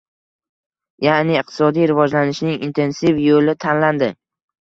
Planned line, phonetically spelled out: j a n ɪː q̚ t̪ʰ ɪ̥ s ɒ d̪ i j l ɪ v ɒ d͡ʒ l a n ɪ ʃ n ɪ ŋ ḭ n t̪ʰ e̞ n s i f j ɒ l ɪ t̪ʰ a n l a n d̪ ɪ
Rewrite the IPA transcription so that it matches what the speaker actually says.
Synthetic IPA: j a n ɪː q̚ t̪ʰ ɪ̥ s ɒ d̪ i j ɾ ɪ v ɒ d͡ʒ l a n ɪ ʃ n ɪ ŋ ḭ n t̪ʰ e̞ n s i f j o l ɪ t̪ʰ a n l a n d̪ ɪ